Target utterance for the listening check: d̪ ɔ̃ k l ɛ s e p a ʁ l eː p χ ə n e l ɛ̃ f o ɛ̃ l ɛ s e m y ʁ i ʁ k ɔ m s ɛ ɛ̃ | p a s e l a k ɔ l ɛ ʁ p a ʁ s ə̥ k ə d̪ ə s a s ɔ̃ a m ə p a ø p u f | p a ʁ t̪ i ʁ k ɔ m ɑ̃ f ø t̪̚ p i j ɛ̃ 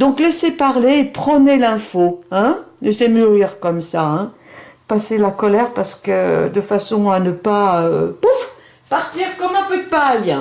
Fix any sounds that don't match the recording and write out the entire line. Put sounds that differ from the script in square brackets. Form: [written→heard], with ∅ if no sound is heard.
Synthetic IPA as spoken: d̪ ɔ̃ k l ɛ s e p a ʁ l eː p χ ə n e l ɛ̃ f o ɛ̃ l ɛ s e m y ʁ i ʁ k ɔ m s [ɛ→a] ɛ̃ | p a s e l a k ɔ l ɛ ʁ p a ʁ s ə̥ k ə d̪ ə [s→f] a s ɔ̃ a [m→n] ə p a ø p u f | p a ʁ t̪ i ʁ k ɔ m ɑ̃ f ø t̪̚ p [i→a] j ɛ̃